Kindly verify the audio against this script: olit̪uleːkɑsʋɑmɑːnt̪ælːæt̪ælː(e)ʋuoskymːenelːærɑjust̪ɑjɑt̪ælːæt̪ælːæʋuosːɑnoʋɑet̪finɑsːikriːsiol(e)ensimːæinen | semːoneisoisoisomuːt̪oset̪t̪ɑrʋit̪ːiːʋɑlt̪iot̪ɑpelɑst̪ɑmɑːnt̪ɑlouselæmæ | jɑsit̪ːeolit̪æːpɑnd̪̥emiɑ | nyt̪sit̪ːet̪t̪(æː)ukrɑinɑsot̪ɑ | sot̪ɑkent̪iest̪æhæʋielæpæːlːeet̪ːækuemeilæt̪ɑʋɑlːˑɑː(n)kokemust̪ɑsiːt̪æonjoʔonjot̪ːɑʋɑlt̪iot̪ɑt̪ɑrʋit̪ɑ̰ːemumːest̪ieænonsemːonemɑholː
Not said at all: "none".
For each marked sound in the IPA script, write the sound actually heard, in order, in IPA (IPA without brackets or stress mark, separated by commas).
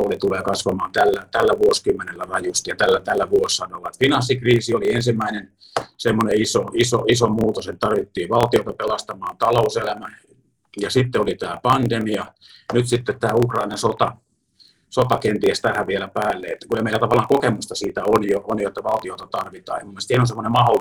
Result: æ, i, æː, ŋ